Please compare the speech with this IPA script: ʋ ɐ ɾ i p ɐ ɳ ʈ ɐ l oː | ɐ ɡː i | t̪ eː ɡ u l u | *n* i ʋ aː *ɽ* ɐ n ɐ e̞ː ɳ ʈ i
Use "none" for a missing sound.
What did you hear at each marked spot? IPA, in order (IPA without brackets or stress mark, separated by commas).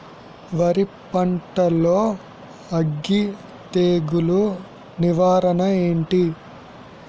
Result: n, ɾ